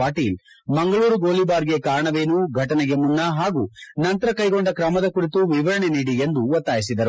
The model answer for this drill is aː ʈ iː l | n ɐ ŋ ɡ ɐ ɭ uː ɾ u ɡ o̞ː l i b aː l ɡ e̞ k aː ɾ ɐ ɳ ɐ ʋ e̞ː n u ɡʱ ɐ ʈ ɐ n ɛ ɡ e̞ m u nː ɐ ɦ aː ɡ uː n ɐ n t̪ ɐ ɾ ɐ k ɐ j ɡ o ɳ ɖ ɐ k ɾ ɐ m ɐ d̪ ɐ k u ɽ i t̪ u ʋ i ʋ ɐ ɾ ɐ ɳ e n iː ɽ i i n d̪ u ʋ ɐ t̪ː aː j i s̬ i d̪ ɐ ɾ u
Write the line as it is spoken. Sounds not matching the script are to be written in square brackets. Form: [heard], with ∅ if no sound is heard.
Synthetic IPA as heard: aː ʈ iː l | [m] ɐ ŋ ɡ ɐ ɭ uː ɾ u ɡ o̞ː l i b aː [ɾ] ɡ e̞ k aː ɾ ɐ ɳ ɐ ʋ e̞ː n u ɡʱ ɐ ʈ ɐ n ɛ ɡ e̞ m u nː ɐ ɦ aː ɡ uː n ɐ n t̪ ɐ ɾ ɐ k ɐ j ɡ o ɳ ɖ ɐ k ɾ ɐ m ɐ d̪ ɐ k u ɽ i t̪ u ʋ i ʋ ɐ ɾ ɐ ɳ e n iː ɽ i [e] n d̪ u ʋ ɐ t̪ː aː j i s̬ i d̪ ɐ ɾ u

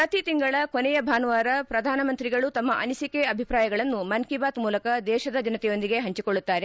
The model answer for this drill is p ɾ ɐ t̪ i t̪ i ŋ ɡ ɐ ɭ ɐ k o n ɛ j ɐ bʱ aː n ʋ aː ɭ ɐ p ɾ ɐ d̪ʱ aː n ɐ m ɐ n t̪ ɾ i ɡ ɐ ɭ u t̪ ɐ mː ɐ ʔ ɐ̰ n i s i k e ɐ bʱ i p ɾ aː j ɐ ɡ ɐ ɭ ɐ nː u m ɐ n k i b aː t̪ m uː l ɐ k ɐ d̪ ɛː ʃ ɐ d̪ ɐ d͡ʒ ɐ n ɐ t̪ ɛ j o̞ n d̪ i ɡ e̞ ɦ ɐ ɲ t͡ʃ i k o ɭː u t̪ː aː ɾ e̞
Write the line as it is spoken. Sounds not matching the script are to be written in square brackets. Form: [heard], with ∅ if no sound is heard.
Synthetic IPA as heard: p ɾ ɐ t̪ i t̪ i ŋ ɡ ɐ ɭ ɐ k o n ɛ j ɐ bʱ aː n ʋ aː [ɾ] ɐ p ɾ ɐ d̪ʱ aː n ɐ m ɐ n t̪ ɾ i ɡ ɐ ɭ u t̪ ɐ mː ɐ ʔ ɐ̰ n i s i k e ɐ bʱ i p ɾ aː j ɐ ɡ ɐ ɭ ɐ nː u m ɐ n k i b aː t̪ m uː l ɐ k ɐ d̪ ɛː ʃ ɐ d̪ ɐ d͡ʒ ɐ n ɐ t̪ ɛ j o̞ n d̪ i ɡ e̞ ɦ ɐ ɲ t͡ʃ i k o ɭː u t̪ː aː ɾ e̞

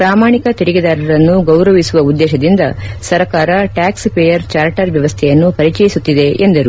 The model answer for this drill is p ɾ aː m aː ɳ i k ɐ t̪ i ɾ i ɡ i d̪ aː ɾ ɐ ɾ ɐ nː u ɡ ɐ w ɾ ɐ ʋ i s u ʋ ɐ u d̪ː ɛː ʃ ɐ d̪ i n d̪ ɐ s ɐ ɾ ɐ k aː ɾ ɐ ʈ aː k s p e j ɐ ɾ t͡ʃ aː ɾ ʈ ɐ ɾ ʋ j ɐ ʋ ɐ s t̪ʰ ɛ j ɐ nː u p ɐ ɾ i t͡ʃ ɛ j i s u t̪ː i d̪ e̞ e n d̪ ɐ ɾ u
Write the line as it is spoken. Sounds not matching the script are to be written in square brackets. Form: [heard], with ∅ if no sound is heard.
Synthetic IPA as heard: p ɾ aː m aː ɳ i k ɐ t̪ i ɾ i ɡ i d̪ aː ɾ ɐ ɾ ɐ nː u ɡ ɐ w ɾ ɐ ʋ i s u ʋ ɐ u d̪ː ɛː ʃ ɐ d̪ i n d̪ ɐ s ɐ ɾ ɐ k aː ɾ ɐ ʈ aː k s p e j ɐ ɾ t͡ʃ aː ɾ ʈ ɐ ɾ ʋ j ɐ ʋ ɐ s t̪ʰ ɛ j ɐ nː u p ɐ ɾ i t͡ʃ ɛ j i s u t̪ː i d̪ e̞ e n d̪ ɐ ɾ u

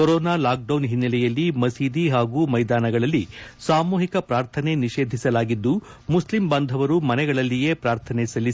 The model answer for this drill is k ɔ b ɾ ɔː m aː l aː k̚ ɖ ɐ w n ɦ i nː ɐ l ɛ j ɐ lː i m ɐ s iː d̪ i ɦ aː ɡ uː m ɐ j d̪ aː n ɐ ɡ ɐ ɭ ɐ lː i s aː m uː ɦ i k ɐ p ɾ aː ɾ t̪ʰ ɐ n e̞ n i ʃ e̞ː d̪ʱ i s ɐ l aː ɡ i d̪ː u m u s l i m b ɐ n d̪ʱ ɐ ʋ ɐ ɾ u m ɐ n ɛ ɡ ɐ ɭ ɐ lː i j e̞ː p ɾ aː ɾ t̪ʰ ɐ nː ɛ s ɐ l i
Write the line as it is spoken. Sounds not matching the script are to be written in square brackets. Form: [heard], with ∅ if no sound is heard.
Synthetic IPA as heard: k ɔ [∅] ɾ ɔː [n] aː l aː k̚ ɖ ɐ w n ɦ i nː ɐ l ɛ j ɐ lː i m ɐ s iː d̪ i ɦ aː ɡ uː m ɐ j d̪ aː n ɐ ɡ ɐ ɭ ɐ lː i s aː m uː ɦ i k ɐ p ɾ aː ɾ t̪ʰ ɐ n e̞ n i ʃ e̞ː d̪ʱ i s ɐ l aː ɡ i d̪ː u m u s l i m b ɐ n d̪ʱ ɐ ʋ ɐ ɾ u m ɐ n ɛ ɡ ɐ ɭ ɐ lː i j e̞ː p ɾ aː ɾ t̪ʰ ɐ [n] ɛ s ɐ l i

